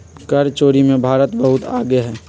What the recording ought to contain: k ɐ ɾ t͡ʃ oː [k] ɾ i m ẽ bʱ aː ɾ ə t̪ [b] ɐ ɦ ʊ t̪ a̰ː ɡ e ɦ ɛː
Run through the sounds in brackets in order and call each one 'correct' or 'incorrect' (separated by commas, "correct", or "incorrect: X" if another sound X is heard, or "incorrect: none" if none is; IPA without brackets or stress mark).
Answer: incorrect: none, correct